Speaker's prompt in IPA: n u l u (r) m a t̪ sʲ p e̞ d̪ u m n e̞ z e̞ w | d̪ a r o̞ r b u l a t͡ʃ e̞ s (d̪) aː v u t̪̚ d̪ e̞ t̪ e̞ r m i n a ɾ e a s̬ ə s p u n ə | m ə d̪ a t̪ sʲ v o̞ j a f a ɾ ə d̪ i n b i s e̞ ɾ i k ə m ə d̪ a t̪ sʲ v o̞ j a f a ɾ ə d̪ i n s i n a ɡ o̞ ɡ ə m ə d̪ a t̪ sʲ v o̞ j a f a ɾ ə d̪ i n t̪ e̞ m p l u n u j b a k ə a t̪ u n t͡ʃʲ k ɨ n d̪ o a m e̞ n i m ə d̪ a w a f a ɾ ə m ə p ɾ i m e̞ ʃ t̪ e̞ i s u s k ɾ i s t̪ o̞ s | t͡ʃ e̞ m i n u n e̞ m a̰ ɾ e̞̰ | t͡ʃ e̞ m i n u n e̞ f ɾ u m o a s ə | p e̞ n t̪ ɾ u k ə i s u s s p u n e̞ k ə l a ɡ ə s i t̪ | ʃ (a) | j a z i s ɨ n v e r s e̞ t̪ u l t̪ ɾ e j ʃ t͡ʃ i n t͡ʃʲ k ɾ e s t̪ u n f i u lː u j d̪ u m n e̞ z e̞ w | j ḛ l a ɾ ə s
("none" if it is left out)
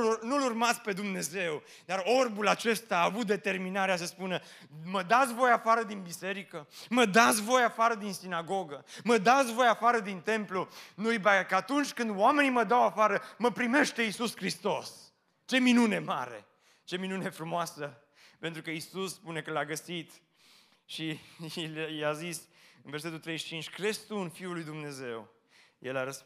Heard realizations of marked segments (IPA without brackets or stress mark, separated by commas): r, t̪, i